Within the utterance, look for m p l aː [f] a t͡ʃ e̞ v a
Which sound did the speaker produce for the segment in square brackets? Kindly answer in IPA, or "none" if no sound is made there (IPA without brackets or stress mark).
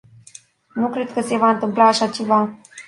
ʃ